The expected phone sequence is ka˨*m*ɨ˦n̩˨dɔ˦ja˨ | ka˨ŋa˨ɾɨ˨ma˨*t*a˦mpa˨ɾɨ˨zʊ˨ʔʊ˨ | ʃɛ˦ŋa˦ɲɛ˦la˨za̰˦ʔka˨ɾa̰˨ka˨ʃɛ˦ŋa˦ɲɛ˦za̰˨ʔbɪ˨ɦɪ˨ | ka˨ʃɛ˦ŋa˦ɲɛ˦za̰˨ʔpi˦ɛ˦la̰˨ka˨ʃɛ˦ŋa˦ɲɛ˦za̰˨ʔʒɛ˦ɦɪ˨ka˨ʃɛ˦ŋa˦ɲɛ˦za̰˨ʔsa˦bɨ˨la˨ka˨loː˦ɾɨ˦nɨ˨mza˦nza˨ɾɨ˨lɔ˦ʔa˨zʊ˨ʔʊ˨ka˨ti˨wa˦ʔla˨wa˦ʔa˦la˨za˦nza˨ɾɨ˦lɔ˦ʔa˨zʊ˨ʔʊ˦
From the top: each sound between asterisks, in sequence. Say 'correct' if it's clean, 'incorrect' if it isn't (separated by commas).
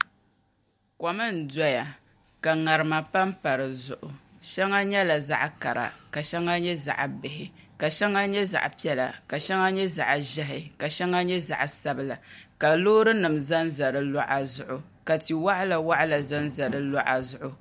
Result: correct, incorrect